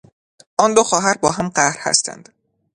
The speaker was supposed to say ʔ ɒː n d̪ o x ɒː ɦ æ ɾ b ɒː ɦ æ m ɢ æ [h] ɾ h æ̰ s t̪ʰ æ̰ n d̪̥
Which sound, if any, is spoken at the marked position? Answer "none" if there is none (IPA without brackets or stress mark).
h